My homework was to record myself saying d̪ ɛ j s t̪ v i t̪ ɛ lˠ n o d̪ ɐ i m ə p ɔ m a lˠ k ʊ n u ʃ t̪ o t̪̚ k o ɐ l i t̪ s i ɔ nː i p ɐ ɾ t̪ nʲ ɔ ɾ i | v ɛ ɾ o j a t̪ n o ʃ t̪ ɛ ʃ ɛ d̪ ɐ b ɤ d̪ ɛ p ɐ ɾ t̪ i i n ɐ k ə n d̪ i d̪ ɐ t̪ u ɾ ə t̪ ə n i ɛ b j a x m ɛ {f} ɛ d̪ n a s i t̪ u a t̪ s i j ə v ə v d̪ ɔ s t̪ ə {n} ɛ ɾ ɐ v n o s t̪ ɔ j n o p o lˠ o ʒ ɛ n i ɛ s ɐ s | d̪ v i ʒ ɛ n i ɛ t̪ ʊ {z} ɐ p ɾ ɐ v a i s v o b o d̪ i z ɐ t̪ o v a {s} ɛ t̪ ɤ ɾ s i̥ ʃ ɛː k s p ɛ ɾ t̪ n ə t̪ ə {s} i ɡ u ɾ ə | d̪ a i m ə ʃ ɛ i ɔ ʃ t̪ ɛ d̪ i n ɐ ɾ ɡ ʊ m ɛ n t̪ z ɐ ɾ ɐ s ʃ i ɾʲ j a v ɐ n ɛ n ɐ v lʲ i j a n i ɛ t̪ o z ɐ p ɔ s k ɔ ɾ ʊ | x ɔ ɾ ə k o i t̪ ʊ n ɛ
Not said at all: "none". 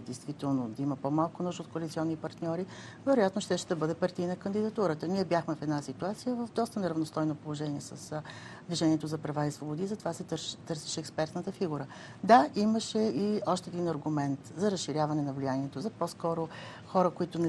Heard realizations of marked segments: f, n, z, s, f

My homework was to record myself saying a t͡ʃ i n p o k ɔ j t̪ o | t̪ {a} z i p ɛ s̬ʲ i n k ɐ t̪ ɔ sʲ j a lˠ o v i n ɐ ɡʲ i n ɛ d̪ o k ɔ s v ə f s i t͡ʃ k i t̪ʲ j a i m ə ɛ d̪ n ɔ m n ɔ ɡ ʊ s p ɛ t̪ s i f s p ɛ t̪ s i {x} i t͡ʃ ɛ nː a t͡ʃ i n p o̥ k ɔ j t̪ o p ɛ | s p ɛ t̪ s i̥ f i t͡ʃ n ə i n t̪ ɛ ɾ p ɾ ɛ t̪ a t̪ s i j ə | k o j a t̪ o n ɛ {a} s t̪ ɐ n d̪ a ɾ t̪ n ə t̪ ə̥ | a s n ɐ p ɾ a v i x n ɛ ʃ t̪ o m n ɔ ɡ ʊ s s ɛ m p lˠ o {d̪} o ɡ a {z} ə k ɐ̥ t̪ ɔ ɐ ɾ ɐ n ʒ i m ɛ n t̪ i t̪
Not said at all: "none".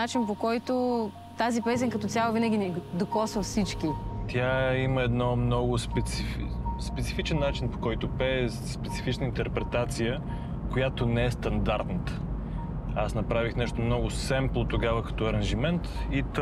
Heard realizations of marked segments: a, f, ɛ, t̪, v

